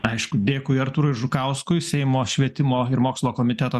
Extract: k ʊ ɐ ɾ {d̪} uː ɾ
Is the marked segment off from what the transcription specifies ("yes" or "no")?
yes